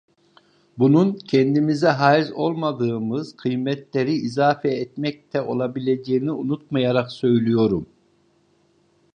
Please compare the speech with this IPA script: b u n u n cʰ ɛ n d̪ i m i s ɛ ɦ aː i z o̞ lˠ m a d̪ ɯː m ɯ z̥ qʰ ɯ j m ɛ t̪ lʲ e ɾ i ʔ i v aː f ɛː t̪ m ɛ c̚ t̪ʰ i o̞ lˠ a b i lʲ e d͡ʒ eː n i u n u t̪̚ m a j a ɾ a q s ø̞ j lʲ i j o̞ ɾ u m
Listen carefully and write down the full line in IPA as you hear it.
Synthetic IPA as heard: b u n u n cʰ ɛ n d̪ i m i z ɛ ɦ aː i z o̞ lˠ m a d̪ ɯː m ɯ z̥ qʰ ɯ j m ɛ t̪ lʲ e ɾ i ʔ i z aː f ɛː t̪ m ɛ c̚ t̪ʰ ɛ o̞ lˠ a b i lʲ e d͡ʒ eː n i u n u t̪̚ m a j a ɾ a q s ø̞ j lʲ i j o̞ ɾ u m